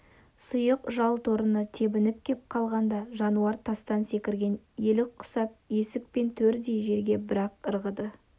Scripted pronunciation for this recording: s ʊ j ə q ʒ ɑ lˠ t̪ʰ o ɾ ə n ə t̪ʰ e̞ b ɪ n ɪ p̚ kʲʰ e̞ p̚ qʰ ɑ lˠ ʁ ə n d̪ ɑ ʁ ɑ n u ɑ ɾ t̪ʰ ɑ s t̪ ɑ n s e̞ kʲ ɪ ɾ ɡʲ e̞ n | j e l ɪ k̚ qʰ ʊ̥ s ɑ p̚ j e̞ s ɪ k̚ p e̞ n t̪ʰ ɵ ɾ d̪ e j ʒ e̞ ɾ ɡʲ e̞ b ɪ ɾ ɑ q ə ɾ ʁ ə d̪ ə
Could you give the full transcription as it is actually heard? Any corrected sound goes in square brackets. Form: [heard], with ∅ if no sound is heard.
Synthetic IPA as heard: s ʊ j ə q ʒ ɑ lˠ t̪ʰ o ɾ ə n ə t̪ʰ e̞ b ɪ n ɪ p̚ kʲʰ e̞ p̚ qʰ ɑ lˠ ʁ [ɑ] n d̪ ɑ [ʒ] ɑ n u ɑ ɾ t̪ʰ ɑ s t̪ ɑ n s e̞ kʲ ɪ ɾ ɡʲ e̞ n | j e l ɪ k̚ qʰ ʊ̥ s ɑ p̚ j e̞ s ɪ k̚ p e̞ n t̪ʰ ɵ ɾ d̪ e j ʒ e̞ ɾ ɡʲ e̞ b ɪ ɾ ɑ q ə ɾ ʁ ə d̪ ə